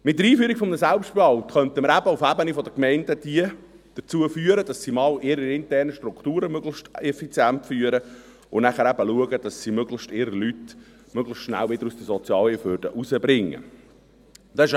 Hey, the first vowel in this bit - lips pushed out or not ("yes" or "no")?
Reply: no